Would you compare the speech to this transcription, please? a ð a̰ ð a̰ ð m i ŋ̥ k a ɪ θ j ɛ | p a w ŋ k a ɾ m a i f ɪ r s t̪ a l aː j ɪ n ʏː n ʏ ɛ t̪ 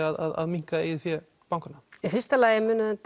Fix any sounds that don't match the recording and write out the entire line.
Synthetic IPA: a ð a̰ ð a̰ ð m i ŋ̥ k a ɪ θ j ɛ | p a w ŋ k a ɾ n a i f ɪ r s t̪ a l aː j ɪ m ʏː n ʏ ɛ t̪